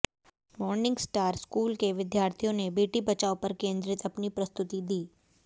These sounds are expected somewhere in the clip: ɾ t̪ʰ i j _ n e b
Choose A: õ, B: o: B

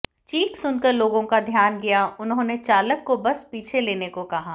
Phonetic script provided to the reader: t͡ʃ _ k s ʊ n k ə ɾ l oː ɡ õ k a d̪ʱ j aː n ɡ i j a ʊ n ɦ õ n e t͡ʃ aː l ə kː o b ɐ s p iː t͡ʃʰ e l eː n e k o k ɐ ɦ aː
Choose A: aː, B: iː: B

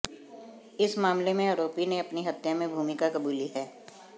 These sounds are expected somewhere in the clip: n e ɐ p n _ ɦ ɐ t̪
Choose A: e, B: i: B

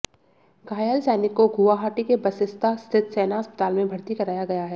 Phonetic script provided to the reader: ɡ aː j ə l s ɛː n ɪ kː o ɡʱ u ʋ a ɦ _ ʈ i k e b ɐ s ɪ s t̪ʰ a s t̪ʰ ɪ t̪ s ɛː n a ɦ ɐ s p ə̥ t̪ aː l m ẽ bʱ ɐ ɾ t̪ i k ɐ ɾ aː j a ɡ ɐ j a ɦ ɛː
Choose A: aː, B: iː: A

